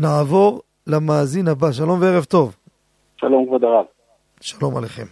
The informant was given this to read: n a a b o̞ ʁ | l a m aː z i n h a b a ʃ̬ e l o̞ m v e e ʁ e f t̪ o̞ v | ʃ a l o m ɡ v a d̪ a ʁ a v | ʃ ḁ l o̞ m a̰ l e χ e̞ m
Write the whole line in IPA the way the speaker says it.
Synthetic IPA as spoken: n a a v o̞ ʁ | l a m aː z i n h a b a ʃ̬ a l o̞ m v e e ʁ e v t̪ o̞ v | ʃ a l o m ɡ v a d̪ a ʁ a v | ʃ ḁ l o̞ m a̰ l e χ e̞ m